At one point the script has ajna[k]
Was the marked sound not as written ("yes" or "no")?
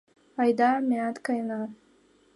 yes